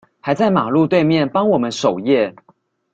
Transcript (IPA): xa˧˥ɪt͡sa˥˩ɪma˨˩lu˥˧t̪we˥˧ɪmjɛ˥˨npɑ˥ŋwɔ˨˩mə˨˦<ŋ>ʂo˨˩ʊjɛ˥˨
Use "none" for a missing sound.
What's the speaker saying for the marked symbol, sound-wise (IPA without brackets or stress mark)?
n